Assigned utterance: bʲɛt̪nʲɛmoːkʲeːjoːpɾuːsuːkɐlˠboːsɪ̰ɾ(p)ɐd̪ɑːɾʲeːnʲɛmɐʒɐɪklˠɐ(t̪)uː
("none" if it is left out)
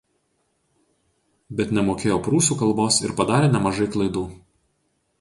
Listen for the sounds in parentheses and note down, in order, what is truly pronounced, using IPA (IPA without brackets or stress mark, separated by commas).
p, d̪